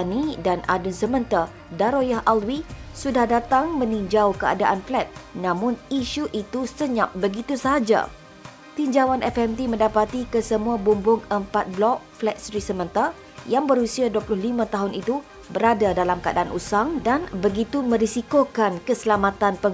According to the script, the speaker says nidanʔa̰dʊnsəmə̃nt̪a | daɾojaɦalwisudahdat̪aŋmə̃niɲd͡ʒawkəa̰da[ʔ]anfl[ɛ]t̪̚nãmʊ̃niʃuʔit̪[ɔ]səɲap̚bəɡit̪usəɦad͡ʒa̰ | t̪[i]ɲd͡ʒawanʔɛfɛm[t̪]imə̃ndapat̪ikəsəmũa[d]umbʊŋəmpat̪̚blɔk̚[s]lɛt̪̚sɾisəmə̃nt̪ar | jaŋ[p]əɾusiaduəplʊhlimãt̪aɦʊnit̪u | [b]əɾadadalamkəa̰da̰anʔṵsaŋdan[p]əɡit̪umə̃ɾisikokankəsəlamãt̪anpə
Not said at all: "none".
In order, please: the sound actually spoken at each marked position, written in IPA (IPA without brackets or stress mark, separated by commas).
ʔ, ɛ, u, i, t̪, b, f, b, b, b